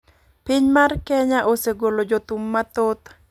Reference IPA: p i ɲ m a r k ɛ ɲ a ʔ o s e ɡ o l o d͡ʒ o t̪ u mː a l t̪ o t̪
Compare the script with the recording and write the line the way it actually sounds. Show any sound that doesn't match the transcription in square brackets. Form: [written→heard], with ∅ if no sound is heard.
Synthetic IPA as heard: p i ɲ m a r k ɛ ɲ a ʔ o s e ɡ o l o d͡ʒ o t̪ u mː a [l→∅] t̪ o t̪

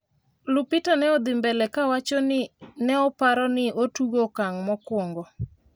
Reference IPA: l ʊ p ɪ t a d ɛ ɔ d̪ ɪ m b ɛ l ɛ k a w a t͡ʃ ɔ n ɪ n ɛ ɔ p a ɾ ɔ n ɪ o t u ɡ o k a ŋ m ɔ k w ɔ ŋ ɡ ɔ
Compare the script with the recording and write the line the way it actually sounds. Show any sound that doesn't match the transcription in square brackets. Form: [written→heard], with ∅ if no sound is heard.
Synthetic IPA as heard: l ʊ p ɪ t a [d→n] ɛ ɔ d̪ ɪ m b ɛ l ɛ k a w a t͡ʃ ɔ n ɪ n ɛ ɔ p a ɾ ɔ n ɪ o t u ɡ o k a ŋ m ɔ k w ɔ ŋ ɡ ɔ

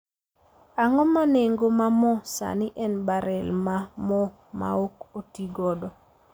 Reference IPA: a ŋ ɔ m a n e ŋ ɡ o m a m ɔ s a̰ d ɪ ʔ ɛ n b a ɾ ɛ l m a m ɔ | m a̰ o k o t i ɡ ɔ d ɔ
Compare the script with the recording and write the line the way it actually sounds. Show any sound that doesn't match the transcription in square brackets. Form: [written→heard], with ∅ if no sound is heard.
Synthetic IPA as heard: a ŋ ɔ m a n e ŋ ɡ o m a m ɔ s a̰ [d→n] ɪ ʔ ɛ n b a ɾ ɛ l m a m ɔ | m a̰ o k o t i ɡ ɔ d ɔ

